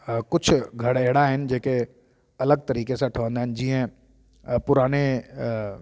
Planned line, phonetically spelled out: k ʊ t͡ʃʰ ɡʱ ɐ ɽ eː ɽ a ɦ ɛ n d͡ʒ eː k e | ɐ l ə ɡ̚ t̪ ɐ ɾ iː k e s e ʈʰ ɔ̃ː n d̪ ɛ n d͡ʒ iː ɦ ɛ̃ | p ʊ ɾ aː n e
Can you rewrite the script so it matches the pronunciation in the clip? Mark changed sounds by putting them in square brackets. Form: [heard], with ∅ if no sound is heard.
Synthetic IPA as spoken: k ʊ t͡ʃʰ ɡʱ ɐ ɽ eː ɽ a ɦ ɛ n d͡ʒ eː k e | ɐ l ə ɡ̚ t̪ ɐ ɾ iː k e s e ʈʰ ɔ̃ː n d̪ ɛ n d͡ʒ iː ɦ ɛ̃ | p ʊ ɾ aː n e